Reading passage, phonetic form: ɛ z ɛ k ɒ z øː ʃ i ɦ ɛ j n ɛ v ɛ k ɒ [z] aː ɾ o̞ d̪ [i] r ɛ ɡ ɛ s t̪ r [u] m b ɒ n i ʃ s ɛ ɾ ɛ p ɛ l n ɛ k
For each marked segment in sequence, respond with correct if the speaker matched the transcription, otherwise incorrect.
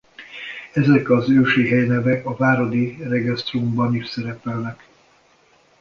incorrect: v, correct, correct

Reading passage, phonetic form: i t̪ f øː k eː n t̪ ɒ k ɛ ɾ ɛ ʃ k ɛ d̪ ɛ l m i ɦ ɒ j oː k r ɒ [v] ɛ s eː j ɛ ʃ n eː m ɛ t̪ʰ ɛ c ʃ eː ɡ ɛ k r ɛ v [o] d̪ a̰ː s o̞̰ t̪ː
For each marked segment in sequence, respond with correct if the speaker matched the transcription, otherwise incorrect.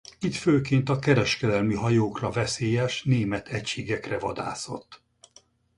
correct, incorrect: ɒ

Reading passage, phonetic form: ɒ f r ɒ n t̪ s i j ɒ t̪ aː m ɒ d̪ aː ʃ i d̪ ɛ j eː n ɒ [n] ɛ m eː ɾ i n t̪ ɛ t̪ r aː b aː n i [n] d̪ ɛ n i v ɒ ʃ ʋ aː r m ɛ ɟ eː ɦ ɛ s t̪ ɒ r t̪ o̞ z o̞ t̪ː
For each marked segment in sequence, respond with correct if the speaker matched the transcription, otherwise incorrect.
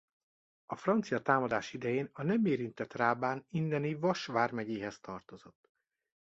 correct, correct

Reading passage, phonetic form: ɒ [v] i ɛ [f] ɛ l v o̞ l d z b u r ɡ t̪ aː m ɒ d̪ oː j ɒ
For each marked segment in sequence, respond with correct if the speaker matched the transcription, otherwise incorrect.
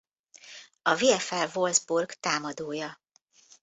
correct, correct

